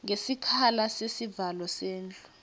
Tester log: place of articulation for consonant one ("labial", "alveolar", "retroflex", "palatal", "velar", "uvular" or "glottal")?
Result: velar